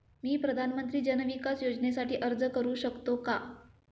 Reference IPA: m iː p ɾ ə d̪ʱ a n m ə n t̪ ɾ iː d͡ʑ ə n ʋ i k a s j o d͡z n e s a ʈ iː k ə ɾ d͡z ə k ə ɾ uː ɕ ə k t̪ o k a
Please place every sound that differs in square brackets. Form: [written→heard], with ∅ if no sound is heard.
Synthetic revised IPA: m iː p ɾ ə d̪ʱ a n m ə n t̪ ɾ iː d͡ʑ ə n ʋ i k a s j o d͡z n e s a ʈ iː [k→ʔ] ə ɾ d͡z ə k ə ɾ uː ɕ ə k t̪ o k a